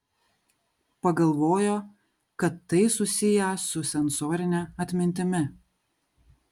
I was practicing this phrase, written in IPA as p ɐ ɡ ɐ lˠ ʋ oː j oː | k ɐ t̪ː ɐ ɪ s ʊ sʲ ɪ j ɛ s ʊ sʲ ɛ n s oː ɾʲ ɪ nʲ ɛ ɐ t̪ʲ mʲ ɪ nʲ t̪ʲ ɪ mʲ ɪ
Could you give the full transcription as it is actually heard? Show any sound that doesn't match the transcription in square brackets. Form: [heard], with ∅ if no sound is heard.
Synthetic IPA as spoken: p ɐ ɡ ɐ lˠ ʋ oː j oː | k ɐ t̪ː ɐ ɪ s ʊ sʲ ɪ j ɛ s ʊ sʲ ɛ n s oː ɾʲ ɪ nʲ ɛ ɐ t̪ʲ mʲ ɪ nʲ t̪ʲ ɪ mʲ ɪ